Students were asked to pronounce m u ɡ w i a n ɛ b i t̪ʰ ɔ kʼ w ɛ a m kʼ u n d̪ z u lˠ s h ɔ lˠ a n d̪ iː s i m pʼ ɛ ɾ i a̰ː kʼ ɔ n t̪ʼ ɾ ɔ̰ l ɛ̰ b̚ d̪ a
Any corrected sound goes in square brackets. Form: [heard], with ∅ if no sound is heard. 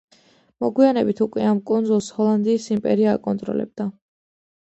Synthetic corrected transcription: m [ɔ] ɡ w i a n ɛ b i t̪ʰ [u] kʼ w ɛ a m kʼ u n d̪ z u lˠ s h ɔ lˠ a n d̪ iː s i m pʼ ɛ ɾ i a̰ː kʼ ɔ n t̪ʼ ɾ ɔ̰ l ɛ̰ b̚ d̪ a